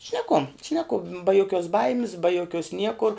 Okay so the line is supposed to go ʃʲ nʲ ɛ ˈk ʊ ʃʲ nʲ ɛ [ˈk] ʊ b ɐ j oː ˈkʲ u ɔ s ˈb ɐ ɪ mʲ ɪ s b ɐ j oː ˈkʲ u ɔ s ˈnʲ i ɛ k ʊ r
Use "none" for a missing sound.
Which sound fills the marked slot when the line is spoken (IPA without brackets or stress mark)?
k